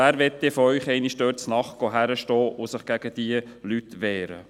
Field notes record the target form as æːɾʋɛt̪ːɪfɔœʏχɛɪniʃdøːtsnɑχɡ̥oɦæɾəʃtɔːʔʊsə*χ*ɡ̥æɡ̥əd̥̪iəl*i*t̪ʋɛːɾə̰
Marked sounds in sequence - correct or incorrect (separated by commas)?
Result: correct, incorrect